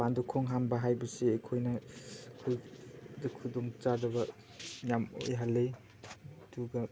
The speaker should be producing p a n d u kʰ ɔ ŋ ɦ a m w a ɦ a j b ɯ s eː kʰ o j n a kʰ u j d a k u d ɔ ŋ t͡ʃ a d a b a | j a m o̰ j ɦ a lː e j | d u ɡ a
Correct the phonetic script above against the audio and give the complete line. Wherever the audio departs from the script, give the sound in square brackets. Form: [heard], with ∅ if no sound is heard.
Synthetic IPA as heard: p a n d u kʰ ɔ ŋ ɦ a m [b] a ɦ a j b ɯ s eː kʰ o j n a kʰ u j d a [kʰ] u d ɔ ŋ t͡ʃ a d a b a | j a m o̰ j ɦ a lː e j | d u ɡ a